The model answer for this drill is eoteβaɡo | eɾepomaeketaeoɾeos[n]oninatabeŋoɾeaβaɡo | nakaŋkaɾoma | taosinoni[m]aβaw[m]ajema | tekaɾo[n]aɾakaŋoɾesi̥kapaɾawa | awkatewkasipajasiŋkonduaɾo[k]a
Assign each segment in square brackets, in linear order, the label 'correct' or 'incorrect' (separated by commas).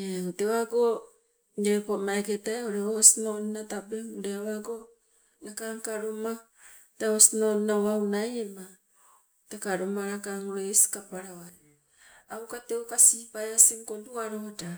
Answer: correct, incorrect, incorrect, incorrect, incorrect